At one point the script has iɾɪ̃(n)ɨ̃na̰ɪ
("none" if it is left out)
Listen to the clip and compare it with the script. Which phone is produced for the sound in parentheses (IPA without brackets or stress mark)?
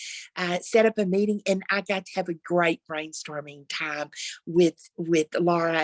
ŋ